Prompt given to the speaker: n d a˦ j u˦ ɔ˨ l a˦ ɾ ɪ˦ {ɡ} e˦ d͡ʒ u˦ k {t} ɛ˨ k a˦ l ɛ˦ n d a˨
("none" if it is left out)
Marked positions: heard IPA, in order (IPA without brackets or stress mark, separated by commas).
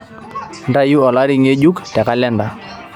ŋ, t